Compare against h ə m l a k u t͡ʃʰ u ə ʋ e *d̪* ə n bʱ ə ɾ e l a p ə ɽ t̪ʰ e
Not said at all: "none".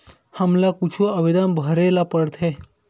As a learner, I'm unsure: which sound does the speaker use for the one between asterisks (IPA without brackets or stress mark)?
d̪